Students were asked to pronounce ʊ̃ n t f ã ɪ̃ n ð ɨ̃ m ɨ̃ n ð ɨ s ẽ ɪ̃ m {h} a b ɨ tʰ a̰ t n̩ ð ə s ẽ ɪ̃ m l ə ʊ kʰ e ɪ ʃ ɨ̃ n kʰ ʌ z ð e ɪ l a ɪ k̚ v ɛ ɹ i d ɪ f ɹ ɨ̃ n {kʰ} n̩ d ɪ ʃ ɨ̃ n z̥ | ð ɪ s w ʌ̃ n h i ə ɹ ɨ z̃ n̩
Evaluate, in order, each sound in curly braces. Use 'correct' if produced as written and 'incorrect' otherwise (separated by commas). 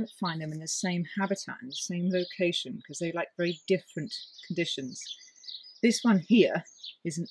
correct, correct